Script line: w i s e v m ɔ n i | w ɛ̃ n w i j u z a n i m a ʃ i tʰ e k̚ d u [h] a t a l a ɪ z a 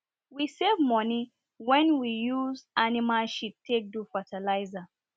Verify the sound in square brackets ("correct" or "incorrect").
incorrect